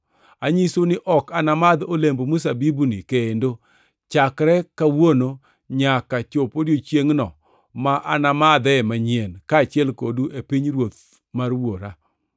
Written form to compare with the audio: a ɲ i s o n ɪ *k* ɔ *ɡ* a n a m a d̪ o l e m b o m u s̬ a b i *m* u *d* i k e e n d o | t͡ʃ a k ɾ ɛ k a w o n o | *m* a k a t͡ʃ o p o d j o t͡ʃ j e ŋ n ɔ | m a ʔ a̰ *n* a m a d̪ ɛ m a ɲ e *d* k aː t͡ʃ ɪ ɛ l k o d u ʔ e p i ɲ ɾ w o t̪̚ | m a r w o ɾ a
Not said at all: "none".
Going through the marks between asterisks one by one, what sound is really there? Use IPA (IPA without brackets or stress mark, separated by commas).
ʔ, k, b, n, ɲ, n, n